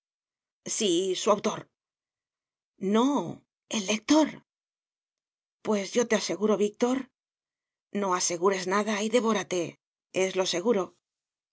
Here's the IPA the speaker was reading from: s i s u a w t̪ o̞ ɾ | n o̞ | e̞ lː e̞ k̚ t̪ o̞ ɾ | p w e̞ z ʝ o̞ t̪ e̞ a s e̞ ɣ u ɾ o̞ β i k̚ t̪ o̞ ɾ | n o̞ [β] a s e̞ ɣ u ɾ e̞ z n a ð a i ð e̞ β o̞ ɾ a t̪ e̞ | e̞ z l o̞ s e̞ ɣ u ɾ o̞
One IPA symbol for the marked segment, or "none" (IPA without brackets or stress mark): none